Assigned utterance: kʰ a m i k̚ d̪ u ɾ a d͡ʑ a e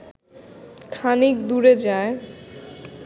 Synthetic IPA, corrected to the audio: kʰ a n i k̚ d̪ u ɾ e d͡ʑ a e